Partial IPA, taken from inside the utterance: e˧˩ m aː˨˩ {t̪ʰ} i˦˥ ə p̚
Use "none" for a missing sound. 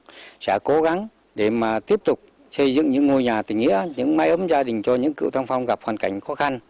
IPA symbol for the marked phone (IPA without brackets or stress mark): t̪